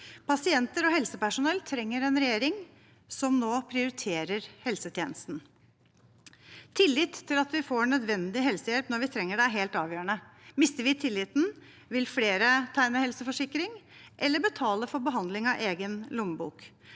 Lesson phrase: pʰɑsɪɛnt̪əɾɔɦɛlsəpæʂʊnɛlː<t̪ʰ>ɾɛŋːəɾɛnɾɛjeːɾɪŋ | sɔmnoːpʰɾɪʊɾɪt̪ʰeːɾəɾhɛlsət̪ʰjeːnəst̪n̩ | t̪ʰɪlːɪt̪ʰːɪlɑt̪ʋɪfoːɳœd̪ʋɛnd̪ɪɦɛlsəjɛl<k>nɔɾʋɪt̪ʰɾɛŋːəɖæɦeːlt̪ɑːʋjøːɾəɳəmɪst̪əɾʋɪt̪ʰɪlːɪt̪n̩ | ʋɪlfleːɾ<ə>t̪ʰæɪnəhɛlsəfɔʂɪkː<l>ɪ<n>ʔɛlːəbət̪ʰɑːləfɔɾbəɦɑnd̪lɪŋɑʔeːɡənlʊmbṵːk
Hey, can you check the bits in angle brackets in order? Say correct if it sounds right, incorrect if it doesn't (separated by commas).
correct, incorrect, correct, incorrect, incorrect